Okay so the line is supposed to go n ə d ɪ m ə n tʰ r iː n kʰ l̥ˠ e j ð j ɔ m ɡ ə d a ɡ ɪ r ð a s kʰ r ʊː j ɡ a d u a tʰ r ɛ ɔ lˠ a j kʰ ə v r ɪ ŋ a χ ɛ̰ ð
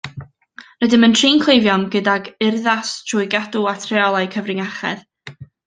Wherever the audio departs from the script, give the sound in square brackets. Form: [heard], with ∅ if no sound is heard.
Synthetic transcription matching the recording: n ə d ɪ m ə n tʰ r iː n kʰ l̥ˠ e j [v] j ɔ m ɡ ə d a ɡ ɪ r ð a s [tʰ] r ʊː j ɡ a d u a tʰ r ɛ ɔ lˠ a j kʰ ə v r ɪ ŋ a χ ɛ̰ ð